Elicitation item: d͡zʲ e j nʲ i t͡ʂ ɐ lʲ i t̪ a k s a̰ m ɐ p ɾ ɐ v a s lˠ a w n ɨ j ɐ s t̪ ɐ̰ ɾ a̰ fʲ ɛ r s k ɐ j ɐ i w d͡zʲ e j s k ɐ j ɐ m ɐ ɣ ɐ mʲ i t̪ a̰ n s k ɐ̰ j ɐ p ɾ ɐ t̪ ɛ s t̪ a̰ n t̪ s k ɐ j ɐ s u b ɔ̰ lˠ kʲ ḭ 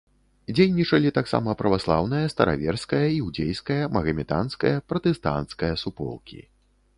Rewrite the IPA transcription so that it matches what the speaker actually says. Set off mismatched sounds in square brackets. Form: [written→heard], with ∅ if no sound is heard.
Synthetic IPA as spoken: d͡zʲ e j nʲ i t͡ʂ ɐ lʲ i t̪ a k s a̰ m ɐ p ɾ ɐ v a s lˠ a w n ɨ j ɐ s t̪ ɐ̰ ɾ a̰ [fʲ→vʲ] ɛ r s k ɐ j ɐ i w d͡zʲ e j s k ɐ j ɐ m ɐ ɣ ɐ mʲ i t̪ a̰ n s k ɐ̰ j ɐ p ɾ ɐ t̪ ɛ s t̪ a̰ n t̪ s k ɐ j ɐ s u [b→p] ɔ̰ lˠ kʲ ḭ